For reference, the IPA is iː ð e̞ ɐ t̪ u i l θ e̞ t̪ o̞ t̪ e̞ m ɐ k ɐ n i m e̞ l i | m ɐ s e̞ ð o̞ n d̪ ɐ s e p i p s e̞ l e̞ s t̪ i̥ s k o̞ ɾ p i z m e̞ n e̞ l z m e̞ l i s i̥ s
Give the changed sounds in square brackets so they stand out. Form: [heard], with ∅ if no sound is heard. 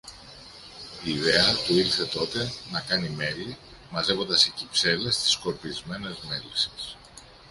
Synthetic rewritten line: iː ð e̞ ɐ t̪ u i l θ e̞ t̪ o̞ t̪ e̞ [n] ɐ k ɐ n i m e̞ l i | m ɐ [z] e̞ [v] o̞ n d̪ ɐ s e [c] i p s e̞ l e̞ s t̪ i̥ s k o̞ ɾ p i z m e̞ n e̞ [∅] z m e̞ l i s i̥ s